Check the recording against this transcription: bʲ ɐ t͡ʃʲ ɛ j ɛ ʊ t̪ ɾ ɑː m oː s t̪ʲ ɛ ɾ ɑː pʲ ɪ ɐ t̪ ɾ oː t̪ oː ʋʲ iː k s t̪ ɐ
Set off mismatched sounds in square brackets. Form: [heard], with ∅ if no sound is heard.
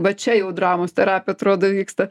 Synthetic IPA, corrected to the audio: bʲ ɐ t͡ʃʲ ɛ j ɛ ʊ [d̪] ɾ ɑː m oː s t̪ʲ ɛ ɾ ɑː pʲ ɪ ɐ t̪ ɾ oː [d̪] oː ʋʲ iː k s t̪ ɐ